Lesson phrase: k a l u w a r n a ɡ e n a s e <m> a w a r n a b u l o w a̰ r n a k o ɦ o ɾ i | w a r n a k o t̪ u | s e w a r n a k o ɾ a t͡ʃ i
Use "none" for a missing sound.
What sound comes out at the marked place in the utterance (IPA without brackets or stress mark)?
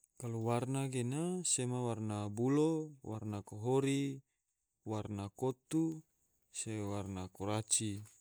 m